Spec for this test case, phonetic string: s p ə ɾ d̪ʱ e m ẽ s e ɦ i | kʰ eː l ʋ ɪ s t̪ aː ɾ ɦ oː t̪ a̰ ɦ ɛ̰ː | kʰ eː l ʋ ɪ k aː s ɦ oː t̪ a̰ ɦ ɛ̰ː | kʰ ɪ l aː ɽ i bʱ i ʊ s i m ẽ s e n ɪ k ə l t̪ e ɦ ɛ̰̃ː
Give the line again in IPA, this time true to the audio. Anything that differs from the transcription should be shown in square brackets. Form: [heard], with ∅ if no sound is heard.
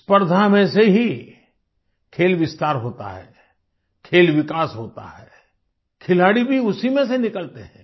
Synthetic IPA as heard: s p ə ɾ d̪ʱ [a] m ẽ s e ɦ i | kʰ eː l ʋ ɪ s t̪ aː ɾ ɦ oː t̪ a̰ ɦ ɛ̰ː | kʰ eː l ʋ ɪ k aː s ɦ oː t̪ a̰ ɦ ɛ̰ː | kʰ ɪ l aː ɽ i bʱ i ʊ s i m ẽ s e n ɪ k ə l t̪ e ɦ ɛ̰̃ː